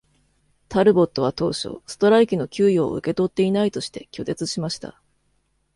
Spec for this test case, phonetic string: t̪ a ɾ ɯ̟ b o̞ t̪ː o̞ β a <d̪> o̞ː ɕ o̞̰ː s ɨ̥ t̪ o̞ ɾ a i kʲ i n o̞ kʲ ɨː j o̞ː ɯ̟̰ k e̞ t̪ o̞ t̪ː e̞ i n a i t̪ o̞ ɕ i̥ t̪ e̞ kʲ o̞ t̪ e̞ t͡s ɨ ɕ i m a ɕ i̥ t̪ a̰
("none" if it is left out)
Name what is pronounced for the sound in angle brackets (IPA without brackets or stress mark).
t̪